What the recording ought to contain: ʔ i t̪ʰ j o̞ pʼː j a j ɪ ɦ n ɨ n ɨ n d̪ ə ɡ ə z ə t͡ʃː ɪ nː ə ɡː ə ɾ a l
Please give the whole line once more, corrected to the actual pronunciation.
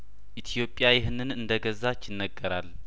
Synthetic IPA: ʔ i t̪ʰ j o̞ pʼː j a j ɪ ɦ n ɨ n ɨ n d̪ ə ɡ ə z a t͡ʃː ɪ nː ə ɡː ə ɾ a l